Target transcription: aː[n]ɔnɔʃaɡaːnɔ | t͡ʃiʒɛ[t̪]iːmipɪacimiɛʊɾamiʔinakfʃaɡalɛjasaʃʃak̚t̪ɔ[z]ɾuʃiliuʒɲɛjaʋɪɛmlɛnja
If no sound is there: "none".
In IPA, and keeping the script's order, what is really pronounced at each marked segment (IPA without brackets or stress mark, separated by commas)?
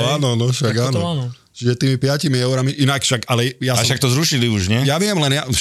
n, t̪, z